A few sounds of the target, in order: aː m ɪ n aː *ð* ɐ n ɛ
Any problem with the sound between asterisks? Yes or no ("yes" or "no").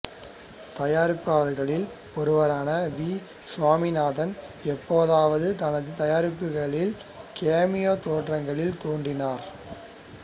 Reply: no